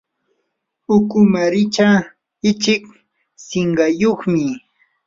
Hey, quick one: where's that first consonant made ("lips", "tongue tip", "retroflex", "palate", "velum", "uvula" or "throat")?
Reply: velum